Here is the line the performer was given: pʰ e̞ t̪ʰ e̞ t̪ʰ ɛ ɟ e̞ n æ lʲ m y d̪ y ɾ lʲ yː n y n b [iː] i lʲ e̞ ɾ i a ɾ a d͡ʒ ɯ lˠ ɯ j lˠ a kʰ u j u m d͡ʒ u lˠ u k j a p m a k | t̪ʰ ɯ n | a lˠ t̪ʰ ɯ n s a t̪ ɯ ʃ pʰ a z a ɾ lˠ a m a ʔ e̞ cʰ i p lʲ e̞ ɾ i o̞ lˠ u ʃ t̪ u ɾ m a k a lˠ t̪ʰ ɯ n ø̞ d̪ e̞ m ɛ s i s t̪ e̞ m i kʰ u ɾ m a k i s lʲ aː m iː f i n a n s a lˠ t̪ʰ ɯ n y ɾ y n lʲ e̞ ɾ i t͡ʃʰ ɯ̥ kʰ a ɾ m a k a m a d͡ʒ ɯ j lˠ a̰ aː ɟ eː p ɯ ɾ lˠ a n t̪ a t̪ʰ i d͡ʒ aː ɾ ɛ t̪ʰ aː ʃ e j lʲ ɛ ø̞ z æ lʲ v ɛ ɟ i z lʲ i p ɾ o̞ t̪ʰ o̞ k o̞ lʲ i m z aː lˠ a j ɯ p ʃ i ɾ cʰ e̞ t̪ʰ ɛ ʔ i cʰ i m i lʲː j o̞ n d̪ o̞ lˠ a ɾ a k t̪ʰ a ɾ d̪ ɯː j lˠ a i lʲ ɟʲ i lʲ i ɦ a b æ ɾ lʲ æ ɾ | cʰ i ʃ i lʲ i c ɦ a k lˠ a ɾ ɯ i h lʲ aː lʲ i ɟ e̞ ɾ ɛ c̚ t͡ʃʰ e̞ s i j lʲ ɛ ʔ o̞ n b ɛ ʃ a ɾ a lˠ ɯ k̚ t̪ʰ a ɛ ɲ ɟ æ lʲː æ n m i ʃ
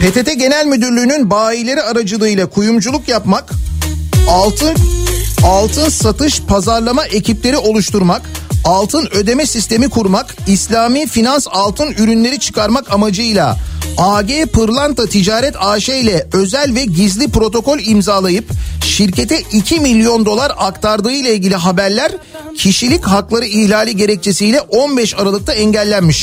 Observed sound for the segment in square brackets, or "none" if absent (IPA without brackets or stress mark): aː